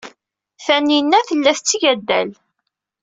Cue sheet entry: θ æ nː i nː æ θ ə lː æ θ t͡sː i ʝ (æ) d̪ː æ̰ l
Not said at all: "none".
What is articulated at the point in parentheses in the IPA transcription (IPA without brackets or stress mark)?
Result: æ